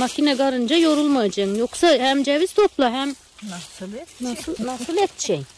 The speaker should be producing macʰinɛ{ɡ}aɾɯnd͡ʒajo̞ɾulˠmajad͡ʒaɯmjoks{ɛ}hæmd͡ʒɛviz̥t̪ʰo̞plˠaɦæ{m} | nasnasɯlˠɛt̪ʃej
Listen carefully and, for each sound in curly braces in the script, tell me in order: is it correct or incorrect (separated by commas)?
correct, incorrect, correct